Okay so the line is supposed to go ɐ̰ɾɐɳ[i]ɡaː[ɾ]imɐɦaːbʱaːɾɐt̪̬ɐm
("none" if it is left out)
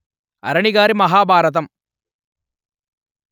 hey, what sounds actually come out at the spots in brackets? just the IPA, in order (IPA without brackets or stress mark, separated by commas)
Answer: i, ɾ